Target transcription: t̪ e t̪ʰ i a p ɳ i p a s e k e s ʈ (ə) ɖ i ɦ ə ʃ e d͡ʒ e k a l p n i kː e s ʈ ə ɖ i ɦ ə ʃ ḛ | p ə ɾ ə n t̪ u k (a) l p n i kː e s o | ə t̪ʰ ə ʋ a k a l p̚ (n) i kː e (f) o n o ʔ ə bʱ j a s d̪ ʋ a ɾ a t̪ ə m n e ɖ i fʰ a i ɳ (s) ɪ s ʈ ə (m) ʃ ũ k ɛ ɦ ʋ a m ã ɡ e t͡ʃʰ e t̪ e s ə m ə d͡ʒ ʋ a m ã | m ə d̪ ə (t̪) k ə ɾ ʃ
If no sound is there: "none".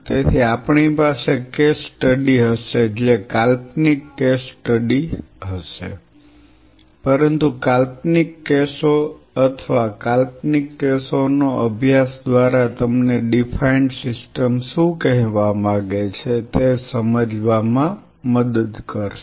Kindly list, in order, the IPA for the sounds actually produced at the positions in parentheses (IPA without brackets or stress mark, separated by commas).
ə, a, n, s, s, m, d̪